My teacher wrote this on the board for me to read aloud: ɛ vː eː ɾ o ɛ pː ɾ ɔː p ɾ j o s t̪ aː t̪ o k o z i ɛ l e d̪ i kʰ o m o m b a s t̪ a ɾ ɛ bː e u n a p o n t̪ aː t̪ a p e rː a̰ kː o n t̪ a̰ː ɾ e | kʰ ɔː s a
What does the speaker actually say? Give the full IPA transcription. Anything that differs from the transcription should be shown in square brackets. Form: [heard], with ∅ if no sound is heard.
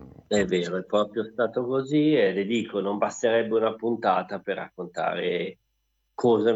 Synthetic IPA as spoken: ɛ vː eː ɾ o ɛ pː ɾ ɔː p ɾ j o s t̪ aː t̪ o k o z i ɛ l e d̪ [iː] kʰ o [n] o m b a s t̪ [e] ɾ ɛ bː e u n a p [u] n t̪ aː t̪ a p e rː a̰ kː o n t̪ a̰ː ɾ e | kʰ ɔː [z] a